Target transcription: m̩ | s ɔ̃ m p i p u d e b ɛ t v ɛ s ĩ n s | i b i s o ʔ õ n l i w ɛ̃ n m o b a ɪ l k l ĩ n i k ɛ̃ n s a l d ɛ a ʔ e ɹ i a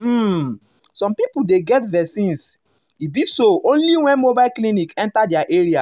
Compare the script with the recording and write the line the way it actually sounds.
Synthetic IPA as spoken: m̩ | s ɔ̃ m p i p u d e ɡ ɛ t v ɛ s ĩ n s | i b i s o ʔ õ n l i w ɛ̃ n m o b a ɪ l k l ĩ n i k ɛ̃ n t a d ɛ a ʔ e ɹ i a